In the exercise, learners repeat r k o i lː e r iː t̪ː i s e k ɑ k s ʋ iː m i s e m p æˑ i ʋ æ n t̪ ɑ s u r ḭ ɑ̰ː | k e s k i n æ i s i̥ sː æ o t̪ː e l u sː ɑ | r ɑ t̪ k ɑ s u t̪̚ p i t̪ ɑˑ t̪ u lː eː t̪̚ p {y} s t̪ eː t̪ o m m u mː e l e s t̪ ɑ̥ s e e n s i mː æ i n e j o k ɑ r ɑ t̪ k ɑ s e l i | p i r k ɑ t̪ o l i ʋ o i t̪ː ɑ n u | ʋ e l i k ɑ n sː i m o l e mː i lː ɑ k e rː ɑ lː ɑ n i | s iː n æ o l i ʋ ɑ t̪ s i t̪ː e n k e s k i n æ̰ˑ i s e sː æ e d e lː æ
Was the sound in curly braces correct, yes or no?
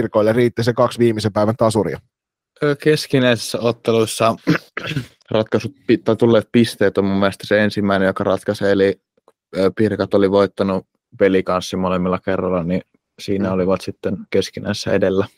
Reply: no